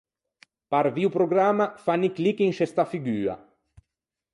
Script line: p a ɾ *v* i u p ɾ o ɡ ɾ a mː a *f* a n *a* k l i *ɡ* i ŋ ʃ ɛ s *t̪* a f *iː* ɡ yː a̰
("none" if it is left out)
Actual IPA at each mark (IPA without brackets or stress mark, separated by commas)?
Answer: v, f, i, k, t̪, i